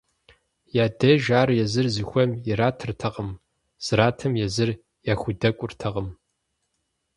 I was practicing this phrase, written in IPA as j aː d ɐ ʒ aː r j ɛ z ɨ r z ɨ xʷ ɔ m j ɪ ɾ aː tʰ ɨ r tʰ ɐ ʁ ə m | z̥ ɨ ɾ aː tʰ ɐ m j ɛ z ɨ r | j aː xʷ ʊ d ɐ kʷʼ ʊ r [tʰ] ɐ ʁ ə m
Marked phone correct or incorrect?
correct